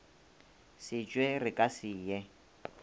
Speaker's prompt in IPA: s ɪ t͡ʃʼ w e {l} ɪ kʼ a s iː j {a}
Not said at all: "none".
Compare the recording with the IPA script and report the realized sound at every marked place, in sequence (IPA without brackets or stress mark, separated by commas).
r, ɛ